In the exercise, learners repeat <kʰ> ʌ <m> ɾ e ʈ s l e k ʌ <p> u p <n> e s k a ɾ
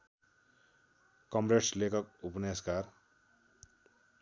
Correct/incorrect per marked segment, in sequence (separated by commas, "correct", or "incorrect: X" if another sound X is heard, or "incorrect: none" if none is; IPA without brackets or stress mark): incorrect: k, correct, incorrect: k, correct